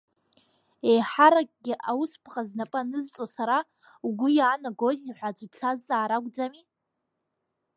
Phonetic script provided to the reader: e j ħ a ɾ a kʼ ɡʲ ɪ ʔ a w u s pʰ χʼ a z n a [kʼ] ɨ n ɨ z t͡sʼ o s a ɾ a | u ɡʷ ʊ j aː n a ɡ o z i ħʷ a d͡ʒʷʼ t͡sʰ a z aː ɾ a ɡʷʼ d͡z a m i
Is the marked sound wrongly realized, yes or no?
yes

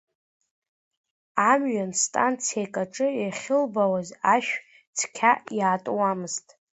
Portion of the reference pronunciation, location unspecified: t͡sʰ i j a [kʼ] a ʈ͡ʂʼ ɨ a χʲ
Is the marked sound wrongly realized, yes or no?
no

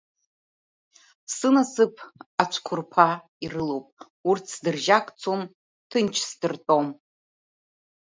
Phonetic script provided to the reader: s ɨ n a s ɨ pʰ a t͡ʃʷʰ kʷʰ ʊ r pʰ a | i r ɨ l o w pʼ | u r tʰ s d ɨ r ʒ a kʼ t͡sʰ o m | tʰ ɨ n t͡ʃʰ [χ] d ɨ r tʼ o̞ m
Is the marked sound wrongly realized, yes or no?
yes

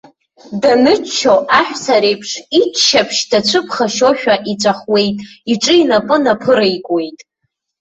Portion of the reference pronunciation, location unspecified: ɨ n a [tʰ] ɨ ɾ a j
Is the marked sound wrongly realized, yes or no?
yes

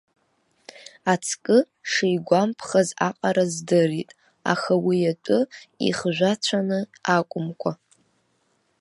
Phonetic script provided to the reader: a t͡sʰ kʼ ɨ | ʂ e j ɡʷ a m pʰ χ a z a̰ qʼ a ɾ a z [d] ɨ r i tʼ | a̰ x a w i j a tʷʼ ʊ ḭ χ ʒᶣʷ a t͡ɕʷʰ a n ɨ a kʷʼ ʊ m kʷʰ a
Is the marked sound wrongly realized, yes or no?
no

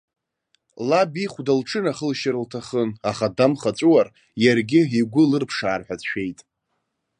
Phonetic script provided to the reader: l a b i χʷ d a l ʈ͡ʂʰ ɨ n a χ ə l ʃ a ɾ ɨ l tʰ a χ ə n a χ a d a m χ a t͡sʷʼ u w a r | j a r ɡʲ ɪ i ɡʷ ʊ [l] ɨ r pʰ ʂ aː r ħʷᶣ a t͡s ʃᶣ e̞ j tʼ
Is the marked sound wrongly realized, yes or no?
no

